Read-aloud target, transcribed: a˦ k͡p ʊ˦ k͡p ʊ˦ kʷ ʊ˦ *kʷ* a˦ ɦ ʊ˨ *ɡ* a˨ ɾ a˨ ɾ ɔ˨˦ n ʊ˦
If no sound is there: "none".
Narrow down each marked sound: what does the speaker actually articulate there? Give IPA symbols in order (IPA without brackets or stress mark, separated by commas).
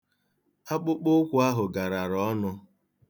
none, ɡ